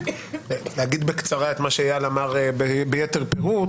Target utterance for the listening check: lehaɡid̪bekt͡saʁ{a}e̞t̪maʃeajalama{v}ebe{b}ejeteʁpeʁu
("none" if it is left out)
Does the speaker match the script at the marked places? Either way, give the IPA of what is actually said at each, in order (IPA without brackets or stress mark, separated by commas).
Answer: a, ʁ, b